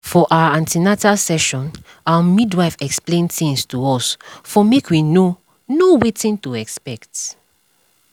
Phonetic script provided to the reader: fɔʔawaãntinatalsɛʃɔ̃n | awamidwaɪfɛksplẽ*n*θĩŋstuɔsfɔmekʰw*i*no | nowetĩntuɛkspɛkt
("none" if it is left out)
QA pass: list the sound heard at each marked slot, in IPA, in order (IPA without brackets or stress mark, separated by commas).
n, i